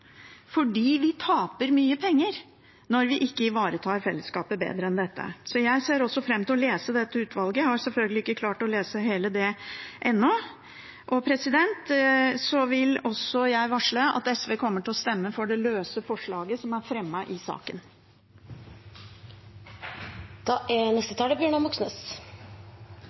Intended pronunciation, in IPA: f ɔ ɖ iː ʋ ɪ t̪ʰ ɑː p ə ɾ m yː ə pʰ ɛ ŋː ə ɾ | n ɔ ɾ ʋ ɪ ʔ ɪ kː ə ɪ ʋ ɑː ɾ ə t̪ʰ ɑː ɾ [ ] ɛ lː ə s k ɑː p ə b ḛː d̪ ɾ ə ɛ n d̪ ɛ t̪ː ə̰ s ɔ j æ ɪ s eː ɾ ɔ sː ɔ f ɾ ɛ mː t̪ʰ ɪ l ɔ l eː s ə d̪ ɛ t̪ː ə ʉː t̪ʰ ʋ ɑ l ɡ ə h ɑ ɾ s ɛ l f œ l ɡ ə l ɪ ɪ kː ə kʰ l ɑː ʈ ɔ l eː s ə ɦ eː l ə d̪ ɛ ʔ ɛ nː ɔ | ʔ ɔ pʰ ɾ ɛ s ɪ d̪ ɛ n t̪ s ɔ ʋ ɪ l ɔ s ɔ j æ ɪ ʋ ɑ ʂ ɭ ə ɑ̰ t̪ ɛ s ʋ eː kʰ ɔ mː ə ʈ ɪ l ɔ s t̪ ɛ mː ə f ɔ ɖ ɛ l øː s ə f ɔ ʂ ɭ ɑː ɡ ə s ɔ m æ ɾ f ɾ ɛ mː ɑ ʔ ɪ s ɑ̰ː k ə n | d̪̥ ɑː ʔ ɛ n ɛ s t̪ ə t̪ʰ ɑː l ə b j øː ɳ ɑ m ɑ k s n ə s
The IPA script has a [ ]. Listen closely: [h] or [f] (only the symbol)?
f